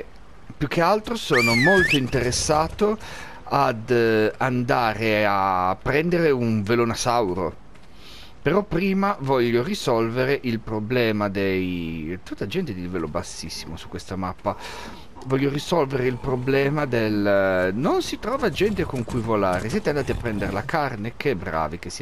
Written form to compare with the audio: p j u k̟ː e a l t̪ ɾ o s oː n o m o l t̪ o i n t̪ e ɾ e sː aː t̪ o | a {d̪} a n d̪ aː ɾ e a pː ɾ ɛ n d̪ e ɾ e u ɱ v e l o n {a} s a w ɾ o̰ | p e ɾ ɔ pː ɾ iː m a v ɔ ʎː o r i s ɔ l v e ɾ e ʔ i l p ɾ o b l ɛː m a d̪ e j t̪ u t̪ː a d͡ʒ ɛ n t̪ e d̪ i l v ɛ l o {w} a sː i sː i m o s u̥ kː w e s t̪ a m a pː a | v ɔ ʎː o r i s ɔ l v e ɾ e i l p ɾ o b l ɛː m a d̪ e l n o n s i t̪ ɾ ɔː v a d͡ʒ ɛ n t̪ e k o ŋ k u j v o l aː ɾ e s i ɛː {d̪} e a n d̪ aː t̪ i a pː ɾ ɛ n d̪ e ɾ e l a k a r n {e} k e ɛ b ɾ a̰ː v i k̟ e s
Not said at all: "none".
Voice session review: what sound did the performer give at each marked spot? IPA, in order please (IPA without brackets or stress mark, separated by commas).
d̪, a, b, t̪, e